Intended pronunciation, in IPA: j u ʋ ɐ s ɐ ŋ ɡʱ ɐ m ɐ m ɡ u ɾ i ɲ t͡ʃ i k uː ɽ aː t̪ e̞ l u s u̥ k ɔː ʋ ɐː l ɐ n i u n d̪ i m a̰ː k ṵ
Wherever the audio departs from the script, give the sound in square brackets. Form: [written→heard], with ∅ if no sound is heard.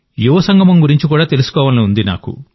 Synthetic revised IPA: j u ʋ ɐ s ɐ ŋ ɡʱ ɐ m ɐ m ɡ u ɾ i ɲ t͡ʃ i k uː ɽ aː t̪ e̞ l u s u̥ k ɔː ʋ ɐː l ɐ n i u n d̪ i [m→n] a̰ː k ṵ